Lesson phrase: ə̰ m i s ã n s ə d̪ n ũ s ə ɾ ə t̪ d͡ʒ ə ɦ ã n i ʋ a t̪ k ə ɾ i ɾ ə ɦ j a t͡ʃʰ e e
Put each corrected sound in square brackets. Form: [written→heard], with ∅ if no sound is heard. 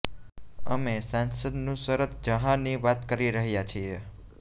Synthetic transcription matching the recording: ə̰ m [i→e] s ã n s ə d̪ n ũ s ə ɾ ə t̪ d͡ʒ ə ɦ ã n i ʋ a t̪ k ə ɾ i ɾ ə ɦ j a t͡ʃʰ [e→i] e